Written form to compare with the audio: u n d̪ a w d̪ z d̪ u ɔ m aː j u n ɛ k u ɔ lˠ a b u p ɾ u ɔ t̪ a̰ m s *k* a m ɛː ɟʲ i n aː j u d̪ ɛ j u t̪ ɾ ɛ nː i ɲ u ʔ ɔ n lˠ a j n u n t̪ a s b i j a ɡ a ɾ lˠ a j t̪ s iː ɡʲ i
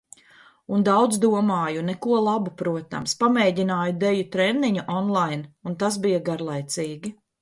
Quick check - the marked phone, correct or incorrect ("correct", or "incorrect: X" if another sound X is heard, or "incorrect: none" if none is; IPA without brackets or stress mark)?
incorrect: p